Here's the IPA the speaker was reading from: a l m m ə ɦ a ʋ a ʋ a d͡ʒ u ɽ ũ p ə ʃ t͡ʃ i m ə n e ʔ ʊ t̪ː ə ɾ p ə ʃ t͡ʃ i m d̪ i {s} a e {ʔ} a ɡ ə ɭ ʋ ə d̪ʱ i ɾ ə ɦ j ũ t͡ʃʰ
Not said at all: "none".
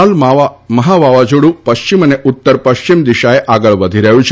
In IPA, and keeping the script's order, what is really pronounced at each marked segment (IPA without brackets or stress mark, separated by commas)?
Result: ʃ, ʔ